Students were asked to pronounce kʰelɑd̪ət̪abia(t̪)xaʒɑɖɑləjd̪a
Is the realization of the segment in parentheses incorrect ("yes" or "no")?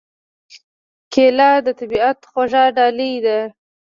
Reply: no